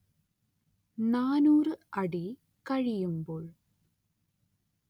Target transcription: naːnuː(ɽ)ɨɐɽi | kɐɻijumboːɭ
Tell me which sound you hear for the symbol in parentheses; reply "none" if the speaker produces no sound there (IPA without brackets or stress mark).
r